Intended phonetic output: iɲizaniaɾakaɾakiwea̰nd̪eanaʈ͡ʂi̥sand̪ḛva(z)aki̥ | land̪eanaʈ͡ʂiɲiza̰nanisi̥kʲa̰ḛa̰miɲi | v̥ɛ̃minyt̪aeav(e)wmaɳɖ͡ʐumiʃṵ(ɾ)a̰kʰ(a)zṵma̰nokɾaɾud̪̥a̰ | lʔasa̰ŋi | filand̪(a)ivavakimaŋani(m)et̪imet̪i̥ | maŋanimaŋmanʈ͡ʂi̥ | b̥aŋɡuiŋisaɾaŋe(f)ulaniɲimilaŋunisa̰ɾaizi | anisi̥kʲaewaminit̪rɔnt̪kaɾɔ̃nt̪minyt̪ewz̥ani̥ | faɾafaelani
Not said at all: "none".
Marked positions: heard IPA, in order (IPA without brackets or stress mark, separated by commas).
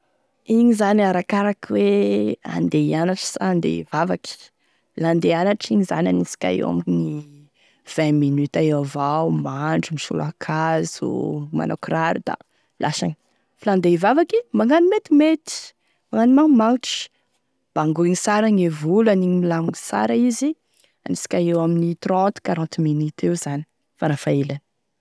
v, a, l, a, e, m, v